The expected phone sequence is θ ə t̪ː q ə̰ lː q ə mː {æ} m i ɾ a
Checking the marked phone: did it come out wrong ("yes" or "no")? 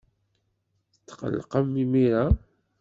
yes